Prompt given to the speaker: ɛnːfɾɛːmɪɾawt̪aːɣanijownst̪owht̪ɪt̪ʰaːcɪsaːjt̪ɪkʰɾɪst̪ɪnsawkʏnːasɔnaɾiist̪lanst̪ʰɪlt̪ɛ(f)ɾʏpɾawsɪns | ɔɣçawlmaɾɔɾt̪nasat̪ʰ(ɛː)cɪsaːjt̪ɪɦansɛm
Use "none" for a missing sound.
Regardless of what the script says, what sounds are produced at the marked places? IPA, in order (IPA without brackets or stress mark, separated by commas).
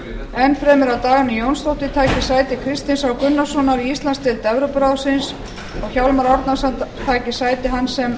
v, aː